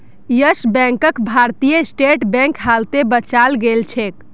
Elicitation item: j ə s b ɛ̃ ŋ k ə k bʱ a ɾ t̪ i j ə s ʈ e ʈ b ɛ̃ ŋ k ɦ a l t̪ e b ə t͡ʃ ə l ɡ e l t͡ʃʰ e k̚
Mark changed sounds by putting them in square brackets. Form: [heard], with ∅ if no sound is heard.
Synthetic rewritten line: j ə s b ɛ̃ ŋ k ə k bʱ a ɾ t̪ i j ə s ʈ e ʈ b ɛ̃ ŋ k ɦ a l t̪ e b ə t͡ʃ [a] l ɡ e l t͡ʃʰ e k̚